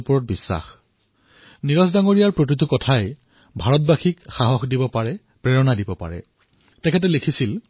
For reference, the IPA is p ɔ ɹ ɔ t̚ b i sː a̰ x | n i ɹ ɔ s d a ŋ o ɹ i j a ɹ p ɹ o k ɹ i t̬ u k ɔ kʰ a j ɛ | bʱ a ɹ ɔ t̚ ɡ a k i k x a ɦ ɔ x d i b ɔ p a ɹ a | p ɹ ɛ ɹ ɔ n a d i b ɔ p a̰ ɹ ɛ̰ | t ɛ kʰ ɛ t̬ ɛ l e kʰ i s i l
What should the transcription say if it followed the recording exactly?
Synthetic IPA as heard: p ɔ ɹ ɔ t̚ b i sː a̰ x | n i ɹ ɔ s d a ŋ o ɹ i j a ɹ p ɹ o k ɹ i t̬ u k ɔ tʰ a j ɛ | bʱ a ɹ ɔ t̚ b a x i k x a ɦ ɔ x d i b ɔ p a ɹ ɛ | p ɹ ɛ ɹ ɔ n a d i b ɔ p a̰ ɹ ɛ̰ | t ɛ kʰ ɛ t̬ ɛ l e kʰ i s i l